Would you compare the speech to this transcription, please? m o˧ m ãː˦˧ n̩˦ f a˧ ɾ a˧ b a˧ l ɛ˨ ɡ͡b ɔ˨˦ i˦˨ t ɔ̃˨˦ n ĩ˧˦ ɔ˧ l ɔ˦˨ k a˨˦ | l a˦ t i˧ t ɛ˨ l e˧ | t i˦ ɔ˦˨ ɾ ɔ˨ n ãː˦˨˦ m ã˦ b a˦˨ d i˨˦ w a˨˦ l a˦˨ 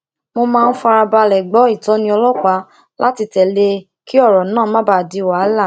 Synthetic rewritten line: m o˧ m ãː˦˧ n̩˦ f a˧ ɾ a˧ b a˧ l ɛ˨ ɡ͡b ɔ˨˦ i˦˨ t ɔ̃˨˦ n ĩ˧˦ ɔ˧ l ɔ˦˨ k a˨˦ | l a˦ t i˧ t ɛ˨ l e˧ | k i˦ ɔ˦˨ ɾ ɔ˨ n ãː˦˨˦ m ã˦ b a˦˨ d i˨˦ w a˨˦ l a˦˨

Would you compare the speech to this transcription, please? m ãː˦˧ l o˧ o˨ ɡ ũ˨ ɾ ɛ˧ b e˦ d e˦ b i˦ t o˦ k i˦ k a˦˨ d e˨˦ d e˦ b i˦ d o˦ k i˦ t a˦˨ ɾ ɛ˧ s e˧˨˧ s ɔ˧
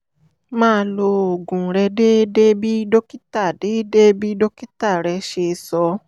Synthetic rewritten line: m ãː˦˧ l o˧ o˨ ɡ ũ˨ ɾ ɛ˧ d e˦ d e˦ b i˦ d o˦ k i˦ t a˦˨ d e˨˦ d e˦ b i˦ d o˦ k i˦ t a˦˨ ɾ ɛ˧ ʃ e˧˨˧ s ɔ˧

